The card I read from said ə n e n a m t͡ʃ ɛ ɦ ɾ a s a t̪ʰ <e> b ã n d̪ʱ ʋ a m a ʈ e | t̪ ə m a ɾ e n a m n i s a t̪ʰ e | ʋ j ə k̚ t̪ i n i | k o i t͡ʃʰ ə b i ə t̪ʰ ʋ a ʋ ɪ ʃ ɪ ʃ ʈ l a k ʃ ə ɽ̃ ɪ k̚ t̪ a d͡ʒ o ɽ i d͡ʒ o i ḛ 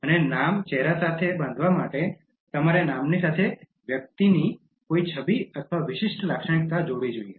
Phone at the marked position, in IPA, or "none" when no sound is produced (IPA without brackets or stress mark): e